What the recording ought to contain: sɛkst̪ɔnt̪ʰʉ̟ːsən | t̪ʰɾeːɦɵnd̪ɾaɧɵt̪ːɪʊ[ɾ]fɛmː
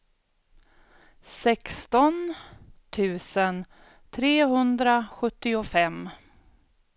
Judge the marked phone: incorrect: none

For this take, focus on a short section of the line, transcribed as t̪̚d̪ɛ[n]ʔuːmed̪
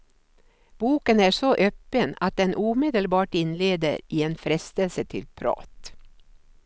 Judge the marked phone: correct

